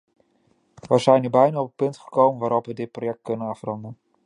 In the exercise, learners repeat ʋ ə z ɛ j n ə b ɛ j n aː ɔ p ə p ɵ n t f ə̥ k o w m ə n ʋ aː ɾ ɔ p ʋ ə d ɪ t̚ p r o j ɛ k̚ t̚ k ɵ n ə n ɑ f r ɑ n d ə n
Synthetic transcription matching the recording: ʋ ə z ɛ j n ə b ɛ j n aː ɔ p ə p ɵ n t χ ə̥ k o w m ə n ʋ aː ɾ ɔ p ʋ ə d ɪ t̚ p r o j ɛ k̚ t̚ k ɵ n ə n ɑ f r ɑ n d ə n